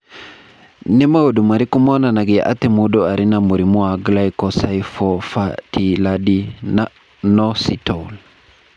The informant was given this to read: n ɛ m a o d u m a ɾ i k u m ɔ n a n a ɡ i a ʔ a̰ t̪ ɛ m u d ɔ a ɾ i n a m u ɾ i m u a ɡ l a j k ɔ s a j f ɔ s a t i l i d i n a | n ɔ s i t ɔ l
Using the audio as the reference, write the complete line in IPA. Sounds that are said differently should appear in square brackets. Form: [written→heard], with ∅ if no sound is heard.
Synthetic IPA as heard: n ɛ m a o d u m a ɾ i k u m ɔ n a n a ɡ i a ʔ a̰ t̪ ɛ m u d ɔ a ɾ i n a m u ɾ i m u a ɡ l a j k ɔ s a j f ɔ [s→f] a t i l [i→a] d i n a | n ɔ s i t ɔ l